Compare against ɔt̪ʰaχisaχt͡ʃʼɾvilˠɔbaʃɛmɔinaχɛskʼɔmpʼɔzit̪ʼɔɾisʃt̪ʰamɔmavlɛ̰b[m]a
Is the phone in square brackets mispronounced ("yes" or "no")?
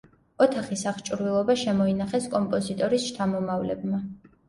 no